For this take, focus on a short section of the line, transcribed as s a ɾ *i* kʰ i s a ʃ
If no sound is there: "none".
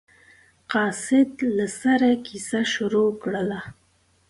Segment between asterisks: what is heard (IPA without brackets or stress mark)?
a